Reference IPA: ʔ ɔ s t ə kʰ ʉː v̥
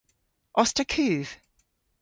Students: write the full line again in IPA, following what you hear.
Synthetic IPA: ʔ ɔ s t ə kʰ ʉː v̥